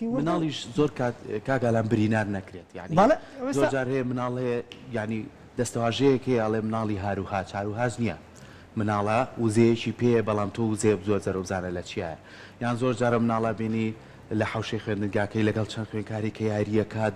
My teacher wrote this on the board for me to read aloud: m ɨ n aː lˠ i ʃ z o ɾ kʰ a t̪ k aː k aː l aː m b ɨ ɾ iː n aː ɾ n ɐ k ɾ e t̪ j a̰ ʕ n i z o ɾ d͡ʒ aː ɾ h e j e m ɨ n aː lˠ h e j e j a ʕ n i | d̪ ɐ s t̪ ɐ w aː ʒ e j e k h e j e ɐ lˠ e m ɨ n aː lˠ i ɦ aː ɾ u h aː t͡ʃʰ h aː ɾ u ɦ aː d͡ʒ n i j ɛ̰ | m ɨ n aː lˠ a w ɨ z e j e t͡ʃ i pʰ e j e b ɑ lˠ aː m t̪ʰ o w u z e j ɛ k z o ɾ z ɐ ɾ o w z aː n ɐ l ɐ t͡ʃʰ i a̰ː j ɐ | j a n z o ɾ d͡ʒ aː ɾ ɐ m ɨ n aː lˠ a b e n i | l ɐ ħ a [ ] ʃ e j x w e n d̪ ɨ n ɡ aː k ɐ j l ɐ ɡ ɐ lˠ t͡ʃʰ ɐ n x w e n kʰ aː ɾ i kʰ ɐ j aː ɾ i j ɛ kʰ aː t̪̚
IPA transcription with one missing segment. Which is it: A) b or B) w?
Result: B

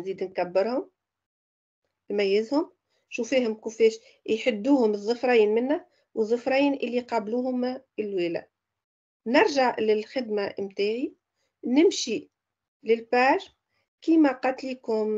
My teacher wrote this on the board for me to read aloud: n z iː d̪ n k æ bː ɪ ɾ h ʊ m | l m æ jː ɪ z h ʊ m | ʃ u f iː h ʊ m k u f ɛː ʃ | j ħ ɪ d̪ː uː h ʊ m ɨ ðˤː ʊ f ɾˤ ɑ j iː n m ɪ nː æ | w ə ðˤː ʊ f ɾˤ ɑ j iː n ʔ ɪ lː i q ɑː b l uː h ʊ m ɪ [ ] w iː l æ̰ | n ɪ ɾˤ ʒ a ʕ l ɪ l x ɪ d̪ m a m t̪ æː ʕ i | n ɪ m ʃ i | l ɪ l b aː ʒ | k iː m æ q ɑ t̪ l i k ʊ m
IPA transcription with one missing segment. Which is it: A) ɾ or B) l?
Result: B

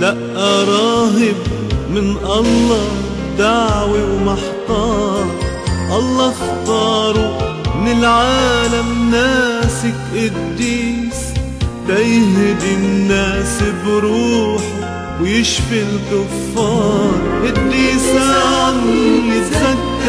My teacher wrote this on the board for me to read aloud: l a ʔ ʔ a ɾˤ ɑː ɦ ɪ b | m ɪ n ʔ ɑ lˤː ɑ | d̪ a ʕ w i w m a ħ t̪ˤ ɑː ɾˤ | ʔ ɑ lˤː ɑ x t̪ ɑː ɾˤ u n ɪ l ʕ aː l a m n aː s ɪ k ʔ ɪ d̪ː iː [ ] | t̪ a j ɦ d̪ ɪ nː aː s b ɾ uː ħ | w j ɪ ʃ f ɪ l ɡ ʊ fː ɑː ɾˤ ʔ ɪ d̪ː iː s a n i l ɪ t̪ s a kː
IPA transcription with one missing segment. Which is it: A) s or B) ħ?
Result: A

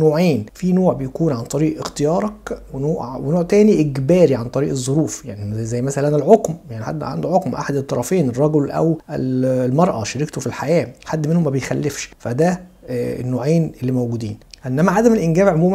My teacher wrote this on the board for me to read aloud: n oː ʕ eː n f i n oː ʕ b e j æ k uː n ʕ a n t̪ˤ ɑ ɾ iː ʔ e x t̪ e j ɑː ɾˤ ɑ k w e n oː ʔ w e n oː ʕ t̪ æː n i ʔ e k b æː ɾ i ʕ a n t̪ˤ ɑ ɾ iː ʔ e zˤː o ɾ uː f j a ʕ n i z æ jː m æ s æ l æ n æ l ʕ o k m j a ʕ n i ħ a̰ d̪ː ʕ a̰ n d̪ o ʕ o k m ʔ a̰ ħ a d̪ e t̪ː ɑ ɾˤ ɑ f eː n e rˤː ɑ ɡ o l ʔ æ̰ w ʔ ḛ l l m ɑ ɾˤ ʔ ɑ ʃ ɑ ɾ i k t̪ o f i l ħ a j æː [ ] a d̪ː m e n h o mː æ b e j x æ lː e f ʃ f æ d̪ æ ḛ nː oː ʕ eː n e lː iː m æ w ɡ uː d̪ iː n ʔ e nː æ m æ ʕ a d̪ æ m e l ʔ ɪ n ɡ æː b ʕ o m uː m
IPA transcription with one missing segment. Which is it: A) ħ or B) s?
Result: A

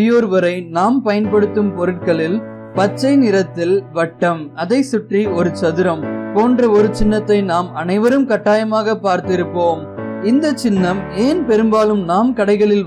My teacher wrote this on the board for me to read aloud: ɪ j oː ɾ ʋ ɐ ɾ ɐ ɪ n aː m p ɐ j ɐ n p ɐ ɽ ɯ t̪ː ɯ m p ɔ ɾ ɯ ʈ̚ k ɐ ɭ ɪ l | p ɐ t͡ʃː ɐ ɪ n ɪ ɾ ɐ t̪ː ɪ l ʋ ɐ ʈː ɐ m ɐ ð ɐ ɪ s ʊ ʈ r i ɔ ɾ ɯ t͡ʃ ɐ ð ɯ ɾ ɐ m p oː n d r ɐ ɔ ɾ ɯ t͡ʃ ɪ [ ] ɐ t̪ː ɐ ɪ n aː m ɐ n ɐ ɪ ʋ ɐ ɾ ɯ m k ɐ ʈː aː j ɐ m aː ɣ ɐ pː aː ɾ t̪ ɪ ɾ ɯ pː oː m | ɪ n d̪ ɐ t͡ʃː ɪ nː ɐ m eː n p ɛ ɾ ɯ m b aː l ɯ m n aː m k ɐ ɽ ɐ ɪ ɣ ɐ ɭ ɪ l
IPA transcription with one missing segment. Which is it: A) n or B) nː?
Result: B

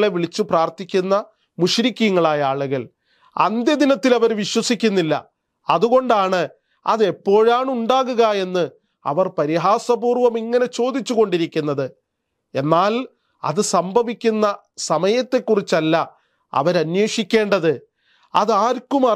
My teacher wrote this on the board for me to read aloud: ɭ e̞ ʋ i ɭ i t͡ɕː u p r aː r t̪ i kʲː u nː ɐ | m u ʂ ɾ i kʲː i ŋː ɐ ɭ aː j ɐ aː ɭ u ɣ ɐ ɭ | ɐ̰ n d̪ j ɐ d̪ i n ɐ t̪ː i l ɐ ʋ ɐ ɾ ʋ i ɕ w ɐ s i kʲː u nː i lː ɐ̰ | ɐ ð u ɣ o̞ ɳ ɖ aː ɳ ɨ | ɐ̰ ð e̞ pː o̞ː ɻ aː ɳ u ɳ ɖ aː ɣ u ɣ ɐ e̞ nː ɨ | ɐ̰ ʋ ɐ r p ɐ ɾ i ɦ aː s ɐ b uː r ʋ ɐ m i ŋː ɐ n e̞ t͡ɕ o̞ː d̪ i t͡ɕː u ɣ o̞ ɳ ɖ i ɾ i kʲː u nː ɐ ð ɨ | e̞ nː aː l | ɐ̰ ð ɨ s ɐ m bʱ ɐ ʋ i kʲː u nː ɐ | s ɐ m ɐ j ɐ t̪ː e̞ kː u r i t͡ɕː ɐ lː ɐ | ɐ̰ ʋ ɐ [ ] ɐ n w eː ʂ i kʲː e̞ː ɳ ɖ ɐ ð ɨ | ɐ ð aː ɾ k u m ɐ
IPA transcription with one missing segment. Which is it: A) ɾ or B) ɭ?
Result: A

